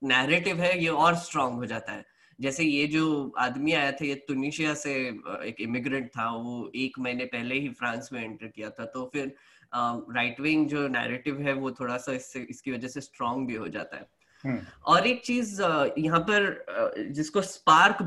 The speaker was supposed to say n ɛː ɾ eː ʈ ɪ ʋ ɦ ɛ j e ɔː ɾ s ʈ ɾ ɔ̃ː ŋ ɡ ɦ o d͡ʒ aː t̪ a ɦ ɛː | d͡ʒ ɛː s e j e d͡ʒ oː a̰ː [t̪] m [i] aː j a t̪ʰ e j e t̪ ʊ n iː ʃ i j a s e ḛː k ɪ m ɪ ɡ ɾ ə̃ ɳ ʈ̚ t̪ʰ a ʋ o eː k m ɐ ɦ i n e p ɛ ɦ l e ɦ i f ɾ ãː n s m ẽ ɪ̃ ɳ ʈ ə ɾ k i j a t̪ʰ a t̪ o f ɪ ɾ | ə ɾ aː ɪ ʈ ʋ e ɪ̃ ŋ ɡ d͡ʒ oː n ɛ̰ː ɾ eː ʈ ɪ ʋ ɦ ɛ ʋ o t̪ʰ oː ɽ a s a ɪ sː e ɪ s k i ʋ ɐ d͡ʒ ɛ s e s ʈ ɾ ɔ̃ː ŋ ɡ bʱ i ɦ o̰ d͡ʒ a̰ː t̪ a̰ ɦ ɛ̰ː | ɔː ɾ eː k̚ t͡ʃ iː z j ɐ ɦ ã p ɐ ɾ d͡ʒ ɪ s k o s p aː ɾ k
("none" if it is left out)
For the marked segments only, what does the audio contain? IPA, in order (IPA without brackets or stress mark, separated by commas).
d̪, i